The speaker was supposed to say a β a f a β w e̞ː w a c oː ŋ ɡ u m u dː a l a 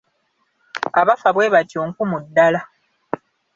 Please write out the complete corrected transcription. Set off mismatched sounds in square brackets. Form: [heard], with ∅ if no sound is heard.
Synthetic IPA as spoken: a β a f a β w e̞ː [β] a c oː ŋ [k] u m u dː a l a